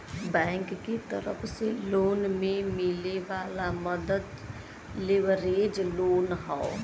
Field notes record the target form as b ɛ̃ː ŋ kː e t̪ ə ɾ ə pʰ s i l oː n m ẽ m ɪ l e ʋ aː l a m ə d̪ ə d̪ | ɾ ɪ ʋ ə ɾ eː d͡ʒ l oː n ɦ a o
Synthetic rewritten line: b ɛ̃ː ŋ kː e t̪ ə ɾ ə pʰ s e l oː n m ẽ m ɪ l e ʋ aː l a m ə d̪ ə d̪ | l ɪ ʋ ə ɾ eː d͡ʒ l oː n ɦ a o